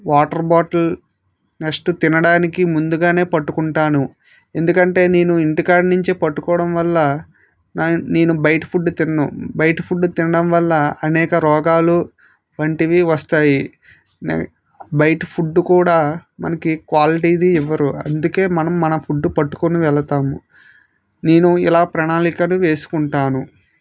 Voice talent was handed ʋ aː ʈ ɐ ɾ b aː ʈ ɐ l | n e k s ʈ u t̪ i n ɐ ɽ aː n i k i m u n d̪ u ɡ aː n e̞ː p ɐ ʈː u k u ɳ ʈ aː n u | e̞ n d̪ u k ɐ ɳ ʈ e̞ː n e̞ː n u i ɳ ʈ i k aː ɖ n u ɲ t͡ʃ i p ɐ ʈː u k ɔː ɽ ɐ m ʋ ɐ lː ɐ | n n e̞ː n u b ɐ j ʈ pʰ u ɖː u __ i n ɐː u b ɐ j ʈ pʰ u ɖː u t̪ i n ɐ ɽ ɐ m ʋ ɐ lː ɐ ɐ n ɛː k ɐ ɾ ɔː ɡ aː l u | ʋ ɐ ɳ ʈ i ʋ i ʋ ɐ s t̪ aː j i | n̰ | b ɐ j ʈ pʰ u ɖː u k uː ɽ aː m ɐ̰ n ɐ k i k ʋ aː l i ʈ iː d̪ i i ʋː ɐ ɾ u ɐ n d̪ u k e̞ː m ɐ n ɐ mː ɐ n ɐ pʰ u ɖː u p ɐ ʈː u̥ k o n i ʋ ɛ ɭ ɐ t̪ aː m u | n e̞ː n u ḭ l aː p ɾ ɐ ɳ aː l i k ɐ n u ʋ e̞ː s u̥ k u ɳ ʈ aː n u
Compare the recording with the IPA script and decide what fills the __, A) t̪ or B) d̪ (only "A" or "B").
A